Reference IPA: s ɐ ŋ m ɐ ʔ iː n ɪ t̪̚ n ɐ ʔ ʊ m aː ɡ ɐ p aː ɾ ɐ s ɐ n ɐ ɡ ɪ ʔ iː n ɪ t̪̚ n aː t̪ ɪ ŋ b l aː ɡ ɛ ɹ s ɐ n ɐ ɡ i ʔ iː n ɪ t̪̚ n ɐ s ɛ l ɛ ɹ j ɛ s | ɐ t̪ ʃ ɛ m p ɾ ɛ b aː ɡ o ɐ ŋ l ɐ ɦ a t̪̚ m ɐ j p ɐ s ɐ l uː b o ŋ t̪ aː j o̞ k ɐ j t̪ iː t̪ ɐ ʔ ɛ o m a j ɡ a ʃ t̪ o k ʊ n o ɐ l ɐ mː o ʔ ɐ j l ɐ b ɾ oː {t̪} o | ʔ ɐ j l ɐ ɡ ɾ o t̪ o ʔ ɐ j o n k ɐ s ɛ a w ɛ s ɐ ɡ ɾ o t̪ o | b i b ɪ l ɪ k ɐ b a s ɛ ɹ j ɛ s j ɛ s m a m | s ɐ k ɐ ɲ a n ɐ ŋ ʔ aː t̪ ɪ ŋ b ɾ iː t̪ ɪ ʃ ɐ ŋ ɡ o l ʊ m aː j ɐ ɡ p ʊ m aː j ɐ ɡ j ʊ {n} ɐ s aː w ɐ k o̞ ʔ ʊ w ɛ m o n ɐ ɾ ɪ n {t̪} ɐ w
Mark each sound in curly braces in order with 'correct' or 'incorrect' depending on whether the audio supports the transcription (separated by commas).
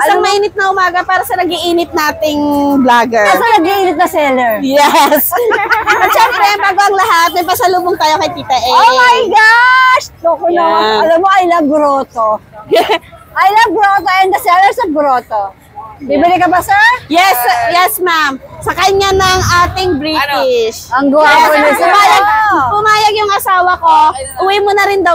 correct, incorrect, incorrect